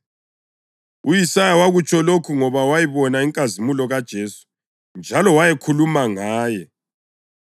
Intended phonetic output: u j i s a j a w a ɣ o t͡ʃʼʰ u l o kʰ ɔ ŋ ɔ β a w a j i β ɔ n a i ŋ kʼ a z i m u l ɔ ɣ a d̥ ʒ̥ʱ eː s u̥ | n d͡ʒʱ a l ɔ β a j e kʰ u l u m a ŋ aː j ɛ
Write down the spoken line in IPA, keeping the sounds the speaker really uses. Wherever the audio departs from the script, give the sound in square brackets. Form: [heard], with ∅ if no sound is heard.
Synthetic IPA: u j i s a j a w a ɣ [u] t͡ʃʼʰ [ɔ] l o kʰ [u] ŋ ɔ β a w a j i β ɔ n a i ŋ kʼ a z i m u l ɔ ɣ a d̥ ʒ̥ʱ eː s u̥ | n d͡ʒʱ a l ɔ [w] a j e kʰ u l u m a ŋ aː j ɛ